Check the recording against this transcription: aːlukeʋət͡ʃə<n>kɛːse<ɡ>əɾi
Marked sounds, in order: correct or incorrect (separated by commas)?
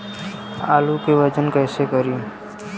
correct, incorrect